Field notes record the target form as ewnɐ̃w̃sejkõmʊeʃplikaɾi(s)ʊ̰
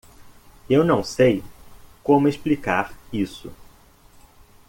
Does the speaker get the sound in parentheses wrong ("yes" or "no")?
no